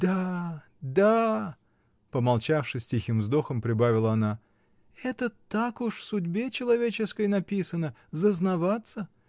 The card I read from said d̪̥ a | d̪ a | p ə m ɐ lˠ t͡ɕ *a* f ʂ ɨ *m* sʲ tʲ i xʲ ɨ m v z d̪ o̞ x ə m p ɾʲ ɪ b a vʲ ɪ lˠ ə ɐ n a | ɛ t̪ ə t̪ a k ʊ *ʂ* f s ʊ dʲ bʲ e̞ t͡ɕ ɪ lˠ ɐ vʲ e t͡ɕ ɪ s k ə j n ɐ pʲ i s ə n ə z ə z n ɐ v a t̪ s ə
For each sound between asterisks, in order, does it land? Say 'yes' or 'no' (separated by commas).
yes, no, yes